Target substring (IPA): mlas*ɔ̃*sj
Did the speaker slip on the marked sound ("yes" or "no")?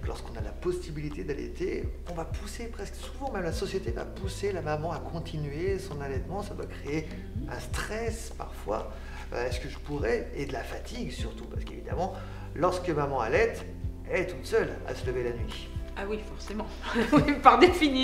yes